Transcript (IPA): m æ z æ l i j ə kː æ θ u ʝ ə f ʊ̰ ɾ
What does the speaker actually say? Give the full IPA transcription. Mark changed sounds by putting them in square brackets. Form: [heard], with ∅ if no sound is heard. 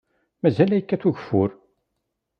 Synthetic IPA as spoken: m æ z æ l [æ] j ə kː æ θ u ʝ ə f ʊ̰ ɾ